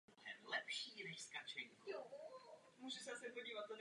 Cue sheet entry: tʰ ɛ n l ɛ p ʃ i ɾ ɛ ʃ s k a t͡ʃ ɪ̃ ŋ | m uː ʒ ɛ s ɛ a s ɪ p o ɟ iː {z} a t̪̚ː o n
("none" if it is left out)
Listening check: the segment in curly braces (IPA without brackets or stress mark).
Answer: v